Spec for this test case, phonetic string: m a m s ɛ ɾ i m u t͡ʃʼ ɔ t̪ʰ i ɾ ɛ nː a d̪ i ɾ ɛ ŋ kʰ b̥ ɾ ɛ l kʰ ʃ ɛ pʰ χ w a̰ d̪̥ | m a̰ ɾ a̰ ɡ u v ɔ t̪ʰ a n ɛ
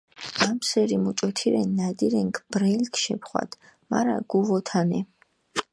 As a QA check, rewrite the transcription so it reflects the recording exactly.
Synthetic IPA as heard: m a m s ɛ ɾ i m u t͡ʃʼ ɔ t̪ʰ i ɾ ɛ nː a d̪ i ɾ ɛ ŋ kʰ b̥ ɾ ɛ l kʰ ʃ ɛ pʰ χ w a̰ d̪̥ | m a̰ ɾ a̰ ɡ u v ɔ t̪ʰ a n ɛ

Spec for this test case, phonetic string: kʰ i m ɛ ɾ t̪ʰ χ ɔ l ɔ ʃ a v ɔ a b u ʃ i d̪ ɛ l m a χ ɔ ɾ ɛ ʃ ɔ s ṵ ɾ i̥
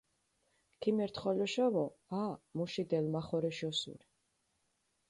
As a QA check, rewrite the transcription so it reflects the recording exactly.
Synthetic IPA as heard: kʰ i m ɛ ɾ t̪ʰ χ ɔ l ɔ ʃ a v ɔ a m u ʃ i d̪ ɛ l m a χ ɔ ɾ ɛ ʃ ɔ s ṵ ɾ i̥

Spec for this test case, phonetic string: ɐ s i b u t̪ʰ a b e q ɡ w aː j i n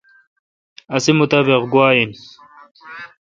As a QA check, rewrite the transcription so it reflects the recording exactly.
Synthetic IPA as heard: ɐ s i m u t̪ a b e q ɡ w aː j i n

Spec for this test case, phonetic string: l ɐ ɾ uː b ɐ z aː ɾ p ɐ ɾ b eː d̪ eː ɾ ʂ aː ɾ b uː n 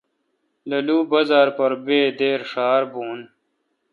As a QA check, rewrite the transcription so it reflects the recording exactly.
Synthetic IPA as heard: l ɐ l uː b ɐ z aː ɾ p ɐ ɾ b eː d̪ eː ɾ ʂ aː ɾ b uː n

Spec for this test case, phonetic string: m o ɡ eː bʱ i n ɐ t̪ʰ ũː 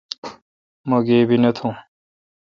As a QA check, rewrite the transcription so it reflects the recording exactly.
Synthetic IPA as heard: m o ɡ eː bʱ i n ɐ t̪ʰ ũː

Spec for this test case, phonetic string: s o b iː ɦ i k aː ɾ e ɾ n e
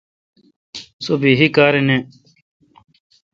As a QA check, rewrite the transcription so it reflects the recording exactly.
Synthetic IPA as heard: s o b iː ɦ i k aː ɾ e n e

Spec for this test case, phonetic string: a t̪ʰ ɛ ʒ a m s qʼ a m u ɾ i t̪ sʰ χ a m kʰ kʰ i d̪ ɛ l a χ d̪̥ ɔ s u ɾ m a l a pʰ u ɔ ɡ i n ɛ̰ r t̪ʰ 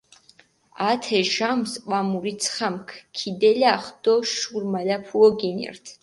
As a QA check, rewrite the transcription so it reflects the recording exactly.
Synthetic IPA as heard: a t̪ʰ ɛ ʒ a m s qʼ a m u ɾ i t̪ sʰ χ a m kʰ kʰ i d̪ ɛ l a χ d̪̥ ɔ ʃ u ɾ m a l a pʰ u ɔ ɡ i n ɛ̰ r t̪ʰ

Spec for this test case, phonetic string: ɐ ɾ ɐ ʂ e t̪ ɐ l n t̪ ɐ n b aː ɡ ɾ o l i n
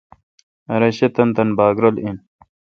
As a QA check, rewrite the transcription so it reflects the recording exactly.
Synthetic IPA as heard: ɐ ɾ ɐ ɕ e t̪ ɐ n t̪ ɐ n b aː ɡ ɾ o l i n

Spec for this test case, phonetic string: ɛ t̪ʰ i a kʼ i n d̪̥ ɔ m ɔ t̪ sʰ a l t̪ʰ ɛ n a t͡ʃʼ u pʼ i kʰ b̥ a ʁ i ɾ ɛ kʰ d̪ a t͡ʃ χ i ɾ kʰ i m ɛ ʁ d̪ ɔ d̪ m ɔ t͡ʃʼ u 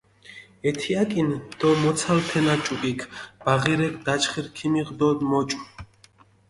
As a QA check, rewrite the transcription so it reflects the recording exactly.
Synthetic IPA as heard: ɛ t̪ʰ i a kʼ i n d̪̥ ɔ m ɔ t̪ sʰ a l t̪ʰ ɛ n a t͡ʃʼ u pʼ i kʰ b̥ a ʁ i ɾ ɛ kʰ d̪ a t͡ʃ χ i ɾ kʰ i m i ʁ d̪ ɔ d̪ m ɔ t͡ʃʼ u

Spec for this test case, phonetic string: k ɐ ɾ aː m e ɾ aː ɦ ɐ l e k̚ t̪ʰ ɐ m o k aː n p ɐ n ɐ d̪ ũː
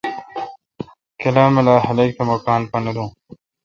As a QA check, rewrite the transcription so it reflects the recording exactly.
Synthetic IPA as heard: k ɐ l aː m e l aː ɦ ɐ l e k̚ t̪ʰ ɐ m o k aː n p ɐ n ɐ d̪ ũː

